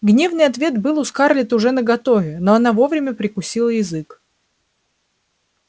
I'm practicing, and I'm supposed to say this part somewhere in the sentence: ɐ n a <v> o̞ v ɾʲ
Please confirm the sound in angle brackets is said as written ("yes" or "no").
yes